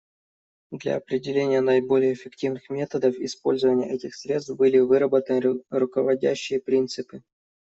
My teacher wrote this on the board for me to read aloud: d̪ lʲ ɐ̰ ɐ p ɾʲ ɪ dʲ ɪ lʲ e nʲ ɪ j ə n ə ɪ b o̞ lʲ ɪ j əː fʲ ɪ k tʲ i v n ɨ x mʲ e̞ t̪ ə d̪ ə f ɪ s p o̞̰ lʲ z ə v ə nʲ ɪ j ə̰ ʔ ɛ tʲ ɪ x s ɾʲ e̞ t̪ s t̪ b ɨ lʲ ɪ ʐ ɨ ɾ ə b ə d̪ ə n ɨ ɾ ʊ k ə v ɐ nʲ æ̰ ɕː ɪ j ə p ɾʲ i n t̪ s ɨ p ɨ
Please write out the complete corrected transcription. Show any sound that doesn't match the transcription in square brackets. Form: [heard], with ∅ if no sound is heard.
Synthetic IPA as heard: d̪ lʲ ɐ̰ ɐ p ɾʲ ɪ dʲ ɪ lʲ e nʲ ɪ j ə n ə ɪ b o̞ lʲ ɪ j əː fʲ ɪ k tʲ i v n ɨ x mʲ e̞ t̪ ə d̪ ə f ɪ s p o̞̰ lʲ z ə v ə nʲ ɪ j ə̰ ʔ ɛ tʲ ɪ x s ɾʲ e̞ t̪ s t̪ b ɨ lʲ ɪ [v] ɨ ɾ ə b ə [t̪] ə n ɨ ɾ ʊ k ə v ɐ [dʲ] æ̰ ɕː ɪ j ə p ɾʲ i n t̪ s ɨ p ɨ